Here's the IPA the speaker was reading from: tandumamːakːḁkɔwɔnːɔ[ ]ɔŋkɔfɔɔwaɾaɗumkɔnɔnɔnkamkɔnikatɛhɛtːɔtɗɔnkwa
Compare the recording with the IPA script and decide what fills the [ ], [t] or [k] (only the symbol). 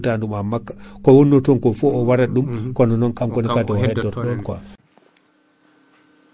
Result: t